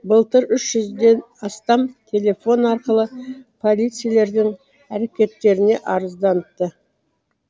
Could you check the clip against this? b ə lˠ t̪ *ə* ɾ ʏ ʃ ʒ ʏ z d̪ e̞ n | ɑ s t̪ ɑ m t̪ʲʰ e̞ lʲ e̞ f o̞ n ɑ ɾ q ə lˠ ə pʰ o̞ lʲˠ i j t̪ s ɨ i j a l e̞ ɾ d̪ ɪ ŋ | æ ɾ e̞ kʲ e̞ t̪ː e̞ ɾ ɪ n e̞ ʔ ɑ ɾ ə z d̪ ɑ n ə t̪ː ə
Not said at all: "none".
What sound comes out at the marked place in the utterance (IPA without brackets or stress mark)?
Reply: ə